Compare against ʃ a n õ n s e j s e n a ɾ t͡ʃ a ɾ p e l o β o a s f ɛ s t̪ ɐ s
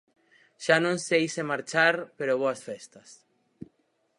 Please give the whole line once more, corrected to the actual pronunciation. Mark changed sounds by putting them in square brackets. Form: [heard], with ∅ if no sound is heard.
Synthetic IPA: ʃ a n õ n s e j s e [m] a ɾ t͡ʃ a ɾ p e [ɾ] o β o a s f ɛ s t̪ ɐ s